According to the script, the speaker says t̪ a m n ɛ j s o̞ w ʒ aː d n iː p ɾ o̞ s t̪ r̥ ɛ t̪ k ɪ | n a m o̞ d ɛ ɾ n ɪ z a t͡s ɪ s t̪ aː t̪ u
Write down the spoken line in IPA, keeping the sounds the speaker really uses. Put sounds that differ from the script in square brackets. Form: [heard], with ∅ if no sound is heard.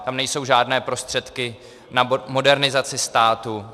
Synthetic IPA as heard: t̪ a m n ɛ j s o̞ w ʒ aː d n [ɛː] p ɾ o̞ s t̪ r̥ ɛ t̪ k ɪ | n a m o̞ d ɛ ɾ n ɪ z a t͡s ɪ s t̪ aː t̪ u